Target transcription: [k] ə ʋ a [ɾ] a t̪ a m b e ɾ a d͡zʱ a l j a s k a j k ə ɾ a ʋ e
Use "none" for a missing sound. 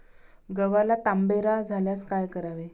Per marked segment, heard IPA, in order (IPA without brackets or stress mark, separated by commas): ɡ, l